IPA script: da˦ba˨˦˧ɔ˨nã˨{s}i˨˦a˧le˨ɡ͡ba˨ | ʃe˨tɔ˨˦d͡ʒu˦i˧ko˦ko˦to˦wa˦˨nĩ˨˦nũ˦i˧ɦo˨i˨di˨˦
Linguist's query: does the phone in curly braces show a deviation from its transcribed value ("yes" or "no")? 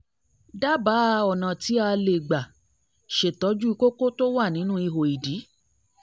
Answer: yes